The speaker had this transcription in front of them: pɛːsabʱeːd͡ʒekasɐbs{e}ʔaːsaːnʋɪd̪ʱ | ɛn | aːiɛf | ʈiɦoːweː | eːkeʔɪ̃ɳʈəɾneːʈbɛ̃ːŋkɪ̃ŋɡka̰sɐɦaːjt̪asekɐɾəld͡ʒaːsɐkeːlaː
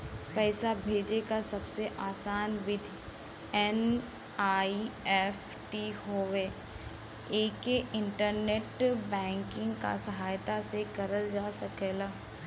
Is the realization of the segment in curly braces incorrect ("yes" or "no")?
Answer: no